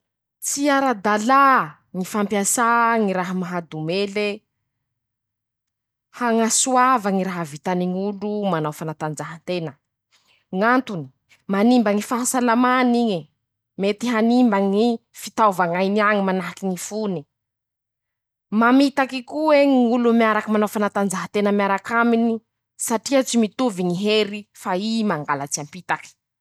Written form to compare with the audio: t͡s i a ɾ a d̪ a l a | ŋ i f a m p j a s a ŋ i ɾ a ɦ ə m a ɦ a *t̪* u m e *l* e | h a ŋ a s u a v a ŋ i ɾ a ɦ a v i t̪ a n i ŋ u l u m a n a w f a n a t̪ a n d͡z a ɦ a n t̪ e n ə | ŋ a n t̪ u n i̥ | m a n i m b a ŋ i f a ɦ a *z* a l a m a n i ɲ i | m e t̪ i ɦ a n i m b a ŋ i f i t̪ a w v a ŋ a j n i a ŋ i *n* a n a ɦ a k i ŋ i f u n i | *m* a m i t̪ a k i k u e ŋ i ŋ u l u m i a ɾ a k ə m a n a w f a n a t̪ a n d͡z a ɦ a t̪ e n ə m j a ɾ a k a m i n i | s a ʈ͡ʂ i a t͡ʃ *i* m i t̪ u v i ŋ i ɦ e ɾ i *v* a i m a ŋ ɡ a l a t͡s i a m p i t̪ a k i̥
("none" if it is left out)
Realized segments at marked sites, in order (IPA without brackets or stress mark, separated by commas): d̪, l, s, m, m, i, f